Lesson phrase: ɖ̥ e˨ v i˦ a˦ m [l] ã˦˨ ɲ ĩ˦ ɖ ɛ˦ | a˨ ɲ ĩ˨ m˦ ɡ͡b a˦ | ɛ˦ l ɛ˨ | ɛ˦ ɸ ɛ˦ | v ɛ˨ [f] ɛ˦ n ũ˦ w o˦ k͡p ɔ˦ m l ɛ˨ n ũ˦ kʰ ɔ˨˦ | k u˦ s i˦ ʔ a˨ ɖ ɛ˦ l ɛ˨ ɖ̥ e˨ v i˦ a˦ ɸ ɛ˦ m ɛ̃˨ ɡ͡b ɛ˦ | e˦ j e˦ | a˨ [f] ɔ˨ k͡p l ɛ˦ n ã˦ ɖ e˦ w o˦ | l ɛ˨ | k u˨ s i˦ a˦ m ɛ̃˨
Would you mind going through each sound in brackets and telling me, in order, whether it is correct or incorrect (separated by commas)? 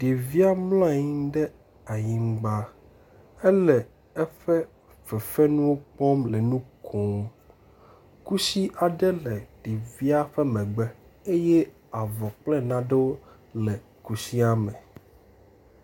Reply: correct, correct, incorrect